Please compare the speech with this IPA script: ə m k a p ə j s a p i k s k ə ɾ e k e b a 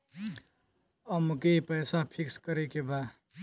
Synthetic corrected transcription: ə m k e p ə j s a pʰ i k s k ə ɾ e k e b a